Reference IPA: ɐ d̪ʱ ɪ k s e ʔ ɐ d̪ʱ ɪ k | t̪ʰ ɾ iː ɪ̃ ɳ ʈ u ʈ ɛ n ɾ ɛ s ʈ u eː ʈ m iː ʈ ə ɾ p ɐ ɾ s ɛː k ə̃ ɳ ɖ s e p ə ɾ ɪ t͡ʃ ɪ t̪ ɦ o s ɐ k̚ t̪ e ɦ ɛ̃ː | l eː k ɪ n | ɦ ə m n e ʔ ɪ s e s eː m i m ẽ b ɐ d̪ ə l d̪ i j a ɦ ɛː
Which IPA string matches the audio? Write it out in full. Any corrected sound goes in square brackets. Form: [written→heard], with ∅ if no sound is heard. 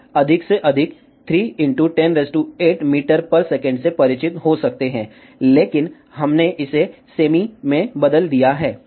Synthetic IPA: ɐ d̪ʱ ɪ k s e ʔ ɐ d̪ʱ ɪ k | t̪ʰ ɾ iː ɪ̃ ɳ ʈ u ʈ ɛ n ɾ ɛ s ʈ u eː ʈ m iː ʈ ə ɾ p ɐ ɾ s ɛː k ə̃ ɳ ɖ s e p [ə→ɐ] ɾ ɪ t͡ʃ ɪ t̪ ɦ o s ɐ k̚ t̪ e ɦ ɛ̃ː | l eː k ɪ n | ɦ [ə→ɐ] m n e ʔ ɪ s e s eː m i m ẽ b ɐ d̪ ə l d̪ i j a ɦ ɛː

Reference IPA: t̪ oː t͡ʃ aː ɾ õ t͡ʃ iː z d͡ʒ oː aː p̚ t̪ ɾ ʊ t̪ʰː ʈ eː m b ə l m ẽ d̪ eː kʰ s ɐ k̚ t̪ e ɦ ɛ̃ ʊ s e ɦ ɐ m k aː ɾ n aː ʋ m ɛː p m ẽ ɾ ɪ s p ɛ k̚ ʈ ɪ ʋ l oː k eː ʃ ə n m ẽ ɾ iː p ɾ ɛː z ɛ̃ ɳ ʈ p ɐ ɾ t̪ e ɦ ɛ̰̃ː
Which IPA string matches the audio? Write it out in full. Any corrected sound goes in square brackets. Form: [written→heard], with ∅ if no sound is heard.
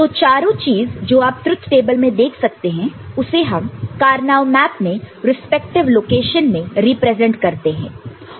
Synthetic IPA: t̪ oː t͡ʃ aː ɾ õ t͡ʃ iː z d͡ʒ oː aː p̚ t̪ ɾ ʊ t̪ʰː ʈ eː [m→∅] b ə l m ẽ d̪ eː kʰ s ɐ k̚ t̪ e ɦ ɛ̃ ʊ s e ɦ ɐ m k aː ɾ n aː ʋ m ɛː p m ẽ ɾ ɪ s p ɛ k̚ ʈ ɪ ʋ l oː k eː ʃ ə n m ẽ ɾ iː p ɾ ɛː z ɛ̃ ɳ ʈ [p→k] ɐ ɾ t̪ e ɦ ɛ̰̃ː

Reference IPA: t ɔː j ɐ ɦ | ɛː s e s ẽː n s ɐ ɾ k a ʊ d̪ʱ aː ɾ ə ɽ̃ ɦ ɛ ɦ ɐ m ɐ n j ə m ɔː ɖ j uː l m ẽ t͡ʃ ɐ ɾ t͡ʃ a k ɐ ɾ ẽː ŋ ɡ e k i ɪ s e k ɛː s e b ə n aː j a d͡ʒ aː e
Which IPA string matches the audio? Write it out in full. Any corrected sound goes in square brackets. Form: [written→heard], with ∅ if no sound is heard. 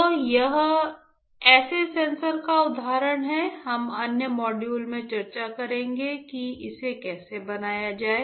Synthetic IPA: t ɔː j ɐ ɦ | ɛː s e s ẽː n s [ɐ→ə] ɾ k a ʊ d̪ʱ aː ɾ ə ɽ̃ ɦ ɛ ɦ ɐ m ɐ n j ə m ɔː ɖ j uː l m ẽ t͡ʃ ɐ ɾ t͡ʃ a k ɐ ɾ ẽː ŋ ɡ e k i ɪ s e k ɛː s e b [ə→ɐ] n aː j a d͡ʒ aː e

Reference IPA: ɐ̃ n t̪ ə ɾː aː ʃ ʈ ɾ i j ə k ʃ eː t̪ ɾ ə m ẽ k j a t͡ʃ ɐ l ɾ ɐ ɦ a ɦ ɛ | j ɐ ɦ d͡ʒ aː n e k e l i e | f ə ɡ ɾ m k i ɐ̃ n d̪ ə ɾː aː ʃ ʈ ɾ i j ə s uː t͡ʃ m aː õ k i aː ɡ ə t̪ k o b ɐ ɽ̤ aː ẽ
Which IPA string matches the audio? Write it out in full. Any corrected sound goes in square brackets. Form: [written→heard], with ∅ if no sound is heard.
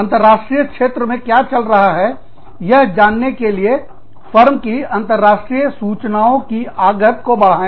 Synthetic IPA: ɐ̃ n t̪ ə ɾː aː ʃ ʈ ɾ i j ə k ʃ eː t̪ ɾ ə m ẽ k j a t͡ʃ ɐ l ɾ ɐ ɦ a ɦ ɛ | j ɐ ɦ d͡ʒ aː [n→nː] e k e l i e | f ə [ɡ→∅] ɾ m k i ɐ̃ n [d̪→t̪] ə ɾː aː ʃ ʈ ɾ i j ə s uː t͡ʃ [m→n] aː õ k i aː ɡ ə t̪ k o b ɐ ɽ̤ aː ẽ

